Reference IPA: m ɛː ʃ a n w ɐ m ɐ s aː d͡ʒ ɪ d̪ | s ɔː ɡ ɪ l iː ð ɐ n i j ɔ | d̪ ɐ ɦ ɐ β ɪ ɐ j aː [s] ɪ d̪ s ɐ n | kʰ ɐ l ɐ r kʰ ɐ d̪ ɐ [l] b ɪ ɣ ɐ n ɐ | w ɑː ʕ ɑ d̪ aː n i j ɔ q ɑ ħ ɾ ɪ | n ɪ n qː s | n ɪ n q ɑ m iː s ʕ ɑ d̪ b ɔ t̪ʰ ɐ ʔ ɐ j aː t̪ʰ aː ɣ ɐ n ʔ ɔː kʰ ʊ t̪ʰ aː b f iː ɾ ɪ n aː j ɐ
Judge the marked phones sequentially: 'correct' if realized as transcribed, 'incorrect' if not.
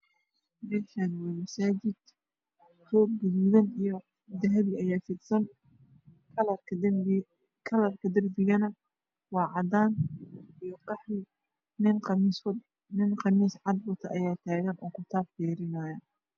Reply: incorrect, incorrect

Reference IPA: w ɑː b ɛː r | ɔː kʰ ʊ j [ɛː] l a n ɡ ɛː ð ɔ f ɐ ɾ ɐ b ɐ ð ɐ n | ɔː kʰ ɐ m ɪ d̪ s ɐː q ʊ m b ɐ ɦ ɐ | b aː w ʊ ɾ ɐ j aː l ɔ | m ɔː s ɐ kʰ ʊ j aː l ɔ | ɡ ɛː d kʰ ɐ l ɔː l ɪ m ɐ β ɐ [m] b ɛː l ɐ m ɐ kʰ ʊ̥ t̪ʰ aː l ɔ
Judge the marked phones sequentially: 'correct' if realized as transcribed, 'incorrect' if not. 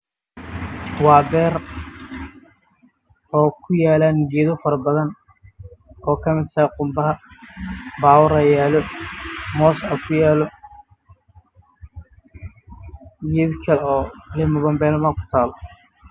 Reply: incorrect, correct

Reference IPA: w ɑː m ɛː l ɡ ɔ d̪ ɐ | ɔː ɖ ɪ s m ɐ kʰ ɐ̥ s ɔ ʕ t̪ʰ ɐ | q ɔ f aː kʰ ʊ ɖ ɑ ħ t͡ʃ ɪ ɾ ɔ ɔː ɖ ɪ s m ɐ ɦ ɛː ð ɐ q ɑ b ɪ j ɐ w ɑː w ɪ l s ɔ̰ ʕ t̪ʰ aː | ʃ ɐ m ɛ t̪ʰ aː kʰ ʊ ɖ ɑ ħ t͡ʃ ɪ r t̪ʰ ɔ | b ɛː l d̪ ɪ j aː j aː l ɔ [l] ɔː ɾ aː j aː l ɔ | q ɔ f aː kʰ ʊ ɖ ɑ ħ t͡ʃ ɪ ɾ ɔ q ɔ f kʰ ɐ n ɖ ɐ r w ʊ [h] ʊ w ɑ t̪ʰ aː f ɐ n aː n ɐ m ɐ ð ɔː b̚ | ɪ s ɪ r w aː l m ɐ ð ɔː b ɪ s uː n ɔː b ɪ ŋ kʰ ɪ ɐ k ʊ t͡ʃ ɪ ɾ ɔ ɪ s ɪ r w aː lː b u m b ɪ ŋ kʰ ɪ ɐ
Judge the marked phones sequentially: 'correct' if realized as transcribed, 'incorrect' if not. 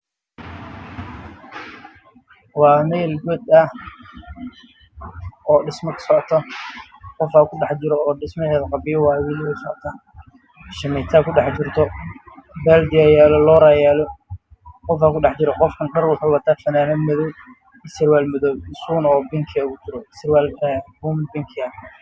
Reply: correct, incorrect

